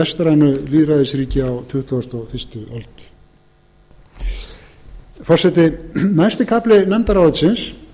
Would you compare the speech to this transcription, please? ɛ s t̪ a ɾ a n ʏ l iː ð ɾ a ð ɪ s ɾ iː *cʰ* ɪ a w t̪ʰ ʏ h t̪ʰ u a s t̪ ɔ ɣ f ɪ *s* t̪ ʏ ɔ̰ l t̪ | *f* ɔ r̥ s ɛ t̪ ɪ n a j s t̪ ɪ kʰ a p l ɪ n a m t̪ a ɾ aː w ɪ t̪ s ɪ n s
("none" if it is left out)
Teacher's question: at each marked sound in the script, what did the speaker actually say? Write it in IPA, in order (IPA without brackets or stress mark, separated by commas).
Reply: c, s, f